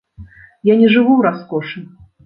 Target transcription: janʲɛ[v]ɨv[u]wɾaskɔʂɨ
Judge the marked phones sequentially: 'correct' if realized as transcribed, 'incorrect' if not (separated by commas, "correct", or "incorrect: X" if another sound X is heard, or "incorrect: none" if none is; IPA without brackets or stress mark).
incorrect: ʐ, correct